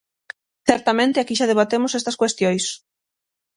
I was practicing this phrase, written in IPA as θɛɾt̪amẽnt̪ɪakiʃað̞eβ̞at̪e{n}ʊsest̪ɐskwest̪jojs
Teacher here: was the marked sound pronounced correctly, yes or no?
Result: no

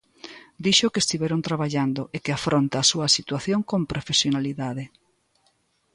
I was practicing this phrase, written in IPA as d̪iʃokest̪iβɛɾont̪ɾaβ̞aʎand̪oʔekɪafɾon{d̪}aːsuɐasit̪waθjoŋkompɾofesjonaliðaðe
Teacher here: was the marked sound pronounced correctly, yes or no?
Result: no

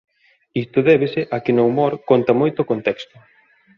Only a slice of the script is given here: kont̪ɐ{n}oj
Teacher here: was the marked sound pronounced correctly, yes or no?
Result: no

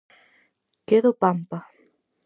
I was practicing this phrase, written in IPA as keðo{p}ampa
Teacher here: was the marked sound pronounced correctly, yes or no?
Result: yes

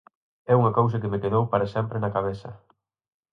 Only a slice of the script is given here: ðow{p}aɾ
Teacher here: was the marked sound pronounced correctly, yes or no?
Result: yes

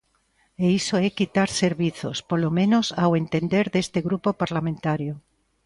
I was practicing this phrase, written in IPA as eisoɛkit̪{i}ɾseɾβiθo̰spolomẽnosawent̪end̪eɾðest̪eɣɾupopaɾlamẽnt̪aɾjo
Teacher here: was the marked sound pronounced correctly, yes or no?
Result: no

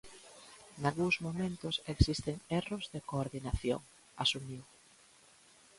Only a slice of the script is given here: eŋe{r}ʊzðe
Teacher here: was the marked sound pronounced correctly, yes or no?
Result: yes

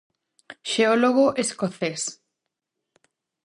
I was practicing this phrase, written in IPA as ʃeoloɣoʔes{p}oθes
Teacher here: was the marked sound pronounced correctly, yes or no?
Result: no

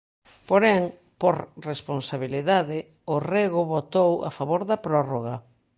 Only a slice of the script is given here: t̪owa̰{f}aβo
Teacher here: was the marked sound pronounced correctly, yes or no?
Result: yes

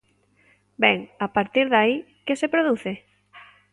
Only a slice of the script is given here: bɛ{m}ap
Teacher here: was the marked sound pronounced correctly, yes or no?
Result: no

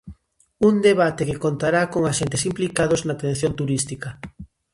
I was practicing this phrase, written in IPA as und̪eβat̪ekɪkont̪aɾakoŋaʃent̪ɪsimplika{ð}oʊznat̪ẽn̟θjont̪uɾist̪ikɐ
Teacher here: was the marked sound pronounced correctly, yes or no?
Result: yes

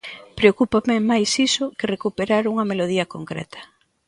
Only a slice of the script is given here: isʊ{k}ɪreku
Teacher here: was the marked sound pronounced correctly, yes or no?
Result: yes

